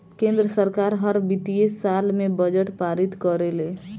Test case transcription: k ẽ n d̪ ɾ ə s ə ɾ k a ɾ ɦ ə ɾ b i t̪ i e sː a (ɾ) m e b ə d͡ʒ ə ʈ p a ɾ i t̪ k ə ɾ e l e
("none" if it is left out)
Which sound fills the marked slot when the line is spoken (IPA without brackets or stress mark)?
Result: l